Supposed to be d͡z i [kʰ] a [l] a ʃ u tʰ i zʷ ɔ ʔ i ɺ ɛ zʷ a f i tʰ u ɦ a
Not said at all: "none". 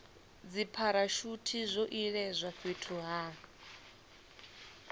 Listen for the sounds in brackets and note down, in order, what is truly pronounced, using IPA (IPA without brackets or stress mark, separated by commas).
pʰ, ɾ